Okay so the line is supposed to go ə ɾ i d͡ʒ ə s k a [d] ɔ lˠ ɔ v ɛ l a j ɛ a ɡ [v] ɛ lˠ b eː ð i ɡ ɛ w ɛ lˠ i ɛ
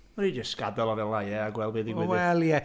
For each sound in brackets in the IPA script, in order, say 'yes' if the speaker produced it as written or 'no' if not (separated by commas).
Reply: yes, no